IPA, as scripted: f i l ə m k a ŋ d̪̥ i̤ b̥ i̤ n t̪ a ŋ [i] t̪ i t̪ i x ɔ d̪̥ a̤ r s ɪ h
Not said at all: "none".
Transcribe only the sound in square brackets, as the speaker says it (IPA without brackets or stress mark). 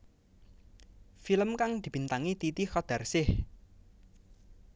i